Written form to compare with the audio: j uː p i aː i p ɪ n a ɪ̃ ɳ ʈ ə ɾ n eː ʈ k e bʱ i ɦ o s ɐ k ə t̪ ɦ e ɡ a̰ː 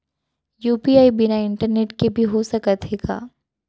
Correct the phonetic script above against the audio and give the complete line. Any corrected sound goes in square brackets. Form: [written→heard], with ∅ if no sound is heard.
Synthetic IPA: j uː p i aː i [p→b] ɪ n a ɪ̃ ɳ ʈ ə ɾ n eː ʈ k e bʱ i ɦ o s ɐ k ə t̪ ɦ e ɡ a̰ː